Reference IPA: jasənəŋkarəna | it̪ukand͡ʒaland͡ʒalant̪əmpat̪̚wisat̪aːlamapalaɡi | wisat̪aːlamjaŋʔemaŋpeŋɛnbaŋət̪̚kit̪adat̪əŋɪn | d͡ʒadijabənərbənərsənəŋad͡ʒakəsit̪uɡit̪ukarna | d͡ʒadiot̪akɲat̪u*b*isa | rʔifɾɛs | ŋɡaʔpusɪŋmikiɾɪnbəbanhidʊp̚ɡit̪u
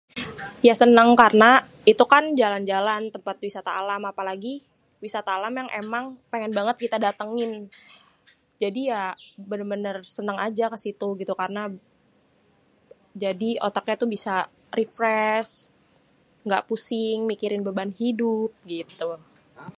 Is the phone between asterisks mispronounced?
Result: no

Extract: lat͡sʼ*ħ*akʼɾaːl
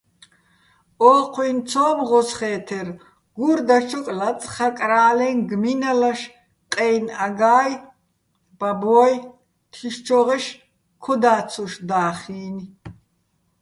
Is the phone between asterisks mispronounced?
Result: yes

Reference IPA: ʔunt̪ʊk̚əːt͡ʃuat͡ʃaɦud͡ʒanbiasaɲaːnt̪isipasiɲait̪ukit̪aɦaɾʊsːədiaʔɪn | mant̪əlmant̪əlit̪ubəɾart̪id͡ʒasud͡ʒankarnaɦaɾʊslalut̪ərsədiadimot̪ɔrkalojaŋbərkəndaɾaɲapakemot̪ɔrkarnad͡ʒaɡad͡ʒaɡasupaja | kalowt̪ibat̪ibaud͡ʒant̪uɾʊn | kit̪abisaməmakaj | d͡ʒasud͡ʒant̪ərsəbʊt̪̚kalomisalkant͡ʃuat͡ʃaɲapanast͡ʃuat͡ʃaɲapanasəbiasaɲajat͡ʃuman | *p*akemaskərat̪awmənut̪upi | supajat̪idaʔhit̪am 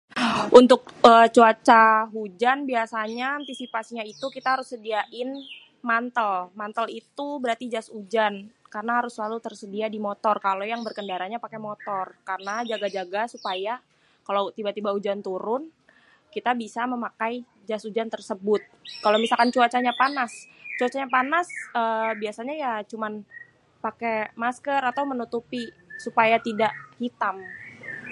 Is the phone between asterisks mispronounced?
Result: no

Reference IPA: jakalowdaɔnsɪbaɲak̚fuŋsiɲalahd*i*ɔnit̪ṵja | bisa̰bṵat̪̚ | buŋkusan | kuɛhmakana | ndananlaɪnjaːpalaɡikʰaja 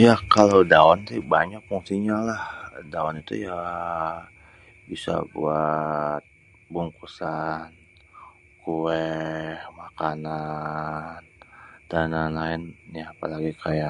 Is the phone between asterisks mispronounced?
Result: yes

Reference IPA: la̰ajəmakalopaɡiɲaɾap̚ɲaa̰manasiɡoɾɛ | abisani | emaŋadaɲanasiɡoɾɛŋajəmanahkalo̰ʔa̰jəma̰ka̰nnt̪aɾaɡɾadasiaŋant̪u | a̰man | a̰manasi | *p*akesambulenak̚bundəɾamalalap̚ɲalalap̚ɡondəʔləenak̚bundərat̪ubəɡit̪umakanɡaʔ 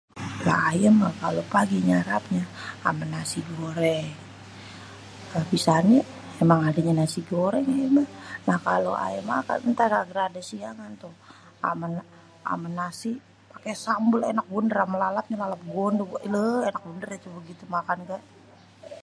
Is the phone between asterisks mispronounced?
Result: no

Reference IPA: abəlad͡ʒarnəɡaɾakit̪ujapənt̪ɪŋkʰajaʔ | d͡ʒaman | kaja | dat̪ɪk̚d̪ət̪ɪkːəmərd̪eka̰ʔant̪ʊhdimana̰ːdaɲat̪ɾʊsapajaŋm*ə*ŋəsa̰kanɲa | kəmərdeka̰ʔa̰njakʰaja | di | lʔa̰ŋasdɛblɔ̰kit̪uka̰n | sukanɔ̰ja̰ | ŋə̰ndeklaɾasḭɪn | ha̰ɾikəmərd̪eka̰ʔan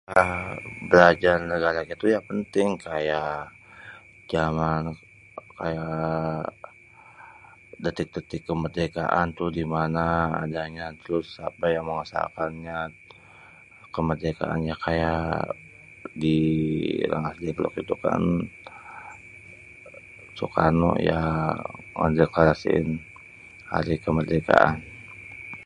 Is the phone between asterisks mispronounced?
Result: no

